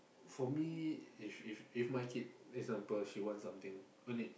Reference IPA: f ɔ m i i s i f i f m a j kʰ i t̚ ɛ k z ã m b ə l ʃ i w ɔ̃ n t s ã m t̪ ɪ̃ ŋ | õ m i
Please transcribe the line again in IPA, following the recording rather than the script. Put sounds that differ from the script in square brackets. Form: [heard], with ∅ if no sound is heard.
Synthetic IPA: f ɔ m i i [f] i f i f m a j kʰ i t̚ ɛ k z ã m [p] ə l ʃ i w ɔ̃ n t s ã m t̪ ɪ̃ ŋ | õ [n] i